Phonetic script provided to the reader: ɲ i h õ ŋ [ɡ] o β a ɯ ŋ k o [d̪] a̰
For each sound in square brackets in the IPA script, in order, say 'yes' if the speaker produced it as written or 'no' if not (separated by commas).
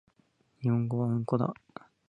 yes, yes